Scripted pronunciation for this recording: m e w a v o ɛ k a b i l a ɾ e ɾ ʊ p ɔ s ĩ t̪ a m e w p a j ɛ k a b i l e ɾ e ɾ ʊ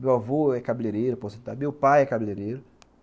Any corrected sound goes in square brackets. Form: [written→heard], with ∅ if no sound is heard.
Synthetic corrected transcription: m e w a v o ɛ k a b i l [a→e] ɾ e ɾ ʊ p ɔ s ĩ t̪ a m e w p a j ɛ k a b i l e ɾ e ɾ ʊ